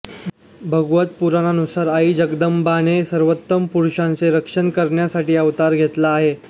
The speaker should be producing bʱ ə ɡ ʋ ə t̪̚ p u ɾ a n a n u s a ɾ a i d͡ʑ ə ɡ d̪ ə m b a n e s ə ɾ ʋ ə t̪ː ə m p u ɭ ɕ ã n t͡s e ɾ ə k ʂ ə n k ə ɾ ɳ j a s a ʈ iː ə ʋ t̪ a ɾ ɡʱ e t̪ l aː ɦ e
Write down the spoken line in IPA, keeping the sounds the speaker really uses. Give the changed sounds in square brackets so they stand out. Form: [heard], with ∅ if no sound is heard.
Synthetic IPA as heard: bʱ ə ɡ ʋ ə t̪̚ p u ɾ a n a n u s a ɾ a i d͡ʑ ə ɡ d̪ ə m b a n e s ə ɾ ʋ ə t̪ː ə m p u [ɾ] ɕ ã n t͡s e ɾ ə k ʂ ə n k ə ɾ ɳ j a s a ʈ iː ə ʋ t̪ a ɾ ɡʱ e t̪ l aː ɦ e